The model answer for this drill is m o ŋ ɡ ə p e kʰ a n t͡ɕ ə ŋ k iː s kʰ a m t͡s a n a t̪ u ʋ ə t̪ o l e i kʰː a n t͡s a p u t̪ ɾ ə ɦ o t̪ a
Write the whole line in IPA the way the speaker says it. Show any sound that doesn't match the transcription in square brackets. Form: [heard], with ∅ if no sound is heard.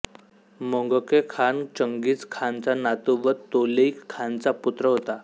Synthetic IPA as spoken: m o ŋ ɡ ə [k] e kʰ a n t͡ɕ ə ŋ [ɡ] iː [t͡s] kʰ a [n] t͡s a n a t̪ u ʋ ə t̪ o l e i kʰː a n t͡s a p u t̪ ɾ ə ɦ o t̪ a